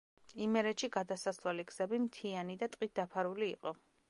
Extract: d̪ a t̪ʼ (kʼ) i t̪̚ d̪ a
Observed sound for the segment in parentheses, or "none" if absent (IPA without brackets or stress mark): qʼ